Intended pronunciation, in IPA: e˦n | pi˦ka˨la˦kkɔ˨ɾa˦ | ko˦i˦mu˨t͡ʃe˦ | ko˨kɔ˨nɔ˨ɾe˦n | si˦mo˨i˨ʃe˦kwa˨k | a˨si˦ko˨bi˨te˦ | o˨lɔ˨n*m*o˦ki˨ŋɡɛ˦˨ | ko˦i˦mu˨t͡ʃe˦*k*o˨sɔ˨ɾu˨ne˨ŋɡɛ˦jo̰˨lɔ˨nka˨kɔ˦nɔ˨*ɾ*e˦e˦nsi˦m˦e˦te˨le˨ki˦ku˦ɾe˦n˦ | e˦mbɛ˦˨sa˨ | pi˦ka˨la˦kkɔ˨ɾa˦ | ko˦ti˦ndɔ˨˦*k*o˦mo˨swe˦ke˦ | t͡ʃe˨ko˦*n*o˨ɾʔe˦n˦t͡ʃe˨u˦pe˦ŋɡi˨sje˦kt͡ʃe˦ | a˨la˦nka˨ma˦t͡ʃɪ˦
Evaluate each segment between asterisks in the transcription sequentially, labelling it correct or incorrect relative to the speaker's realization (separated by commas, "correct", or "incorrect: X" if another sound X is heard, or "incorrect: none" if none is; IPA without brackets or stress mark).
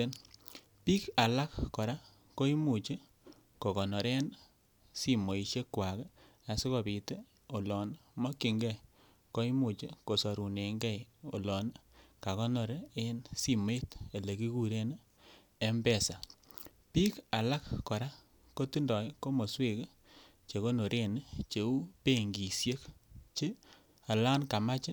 correct, correct, correct, correct, correct